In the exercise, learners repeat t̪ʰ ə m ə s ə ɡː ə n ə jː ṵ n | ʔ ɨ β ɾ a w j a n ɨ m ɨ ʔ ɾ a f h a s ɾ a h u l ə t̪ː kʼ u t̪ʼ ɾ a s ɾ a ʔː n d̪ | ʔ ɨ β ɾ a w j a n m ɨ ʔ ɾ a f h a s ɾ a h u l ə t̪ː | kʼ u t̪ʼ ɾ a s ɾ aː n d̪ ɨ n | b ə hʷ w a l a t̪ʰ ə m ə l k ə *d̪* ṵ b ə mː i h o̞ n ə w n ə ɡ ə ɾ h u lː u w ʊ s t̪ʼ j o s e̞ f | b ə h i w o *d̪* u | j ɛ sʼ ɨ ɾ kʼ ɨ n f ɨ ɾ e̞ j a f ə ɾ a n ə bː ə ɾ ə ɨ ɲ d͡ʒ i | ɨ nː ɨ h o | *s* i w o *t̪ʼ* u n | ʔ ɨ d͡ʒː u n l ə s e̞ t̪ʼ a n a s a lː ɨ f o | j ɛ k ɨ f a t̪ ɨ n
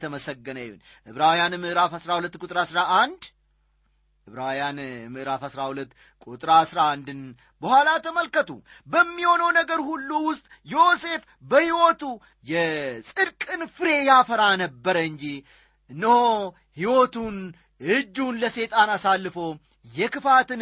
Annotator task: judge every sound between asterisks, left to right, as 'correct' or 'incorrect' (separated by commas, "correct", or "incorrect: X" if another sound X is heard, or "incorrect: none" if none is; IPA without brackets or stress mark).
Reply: incorrect: t̪, incorrect: t̪, incorrect: h, incorrect: t̪